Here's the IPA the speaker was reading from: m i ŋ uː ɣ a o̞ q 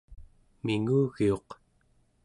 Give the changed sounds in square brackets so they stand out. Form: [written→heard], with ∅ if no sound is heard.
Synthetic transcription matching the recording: m i ŋ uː ɣ [a→i] o̞ q